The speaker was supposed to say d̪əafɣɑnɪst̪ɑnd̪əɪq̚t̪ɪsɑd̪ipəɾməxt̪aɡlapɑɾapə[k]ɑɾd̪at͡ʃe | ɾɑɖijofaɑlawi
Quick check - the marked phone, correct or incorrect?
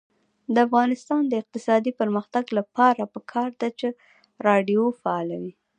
incorrect